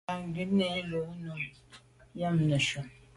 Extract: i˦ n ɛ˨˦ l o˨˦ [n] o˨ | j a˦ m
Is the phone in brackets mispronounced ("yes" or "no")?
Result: no